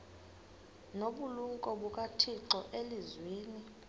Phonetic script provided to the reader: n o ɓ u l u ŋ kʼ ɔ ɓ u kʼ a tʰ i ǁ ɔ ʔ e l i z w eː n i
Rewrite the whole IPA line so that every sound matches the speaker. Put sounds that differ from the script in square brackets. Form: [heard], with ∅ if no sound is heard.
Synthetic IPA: n o ɓ u l u ŋ kʼ ɔ ɓ u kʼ a tʰ i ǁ ɔ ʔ e l i z w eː n i